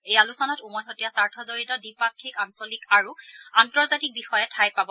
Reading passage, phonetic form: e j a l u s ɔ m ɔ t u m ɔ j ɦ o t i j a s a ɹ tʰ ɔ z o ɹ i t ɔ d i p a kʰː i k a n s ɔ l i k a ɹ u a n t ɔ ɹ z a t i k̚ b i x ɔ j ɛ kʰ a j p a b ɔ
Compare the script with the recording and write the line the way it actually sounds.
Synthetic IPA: e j a l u s ɔ n ɔ t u m ɔ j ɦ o t i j a s a ɹ tʰ ɔ z o ɹ i t ɔ d i p a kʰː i k a n s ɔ l i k a ɹ u a n t ɔ ɹ z a t i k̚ b i x ɔ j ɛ tʰ a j p a b ɔ